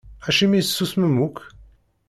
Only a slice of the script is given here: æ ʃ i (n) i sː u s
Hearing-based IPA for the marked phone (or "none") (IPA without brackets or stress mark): m